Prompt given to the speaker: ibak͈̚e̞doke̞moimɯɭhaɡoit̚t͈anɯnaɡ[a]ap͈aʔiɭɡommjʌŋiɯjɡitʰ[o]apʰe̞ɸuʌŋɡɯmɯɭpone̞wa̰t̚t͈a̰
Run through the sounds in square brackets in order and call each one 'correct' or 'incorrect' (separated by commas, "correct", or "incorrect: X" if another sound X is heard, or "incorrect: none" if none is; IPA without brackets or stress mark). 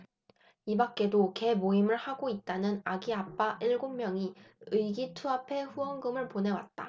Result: incorrect: i, incorrect: u